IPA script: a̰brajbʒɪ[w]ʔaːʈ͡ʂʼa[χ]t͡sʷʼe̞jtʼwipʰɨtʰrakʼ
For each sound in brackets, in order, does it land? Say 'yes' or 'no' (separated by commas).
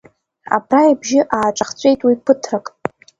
no, yes